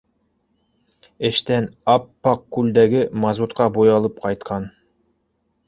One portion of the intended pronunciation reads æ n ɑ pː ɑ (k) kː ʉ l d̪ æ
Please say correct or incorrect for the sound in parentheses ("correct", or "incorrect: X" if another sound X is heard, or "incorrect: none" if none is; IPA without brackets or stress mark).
incorrect: q